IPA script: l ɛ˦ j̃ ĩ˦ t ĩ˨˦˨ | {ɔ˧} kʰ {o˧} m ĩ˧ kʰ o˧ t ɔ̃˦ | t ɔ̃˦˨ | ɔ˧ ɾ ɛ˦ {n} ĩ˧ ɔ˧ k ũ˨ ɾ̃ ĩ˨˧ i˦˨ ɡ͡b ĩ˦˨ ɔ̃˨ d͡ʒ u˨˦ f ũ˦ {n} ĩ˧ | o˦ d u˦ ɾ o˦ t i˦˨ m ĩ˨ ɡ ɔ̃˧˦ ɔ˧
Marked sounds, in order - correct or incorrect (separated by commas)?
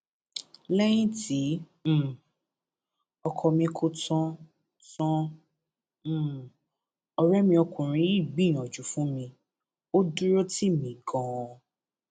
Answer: correct, incorrect, incorrect, incorrect